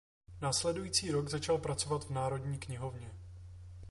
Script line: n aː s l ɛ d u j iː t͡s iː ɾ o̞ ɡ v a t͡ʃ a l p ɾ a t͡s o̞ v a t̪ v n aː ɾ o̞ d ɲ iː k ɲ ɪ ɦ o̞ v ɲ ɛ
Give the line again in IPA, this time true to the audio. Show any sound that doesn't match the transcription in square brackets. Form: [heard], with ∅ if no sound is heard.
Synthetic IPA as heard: n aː s l ɛ d u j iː t͡s iː ɾ o̞ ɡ [z] a t͡ʃ a l p ɾ a t͡s o̞ v a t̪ v n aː ɾ o̞ d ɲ iː k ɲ ɪ ɦ o̞ v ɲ ɛ